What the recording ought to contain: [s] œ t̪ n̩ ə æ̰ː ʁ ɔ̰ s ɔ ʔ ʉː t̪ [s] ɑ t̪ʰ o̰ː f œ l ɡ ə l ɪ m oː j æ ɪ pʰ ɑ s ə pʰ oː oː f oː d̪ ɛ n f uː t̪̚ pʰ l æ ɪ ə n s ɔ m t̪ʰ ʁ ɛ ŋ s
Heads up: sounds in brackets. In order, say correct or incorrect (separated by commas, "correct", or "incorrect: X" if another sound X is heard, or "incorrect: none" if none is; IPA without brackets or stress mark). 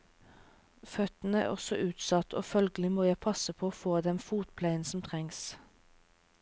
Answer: incorrect: f, correct